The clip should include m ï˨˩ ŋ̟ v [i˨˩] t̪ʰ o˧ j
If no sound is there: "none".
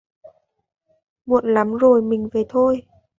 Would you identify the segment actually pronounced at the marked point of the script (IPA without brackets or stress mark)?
e˨˩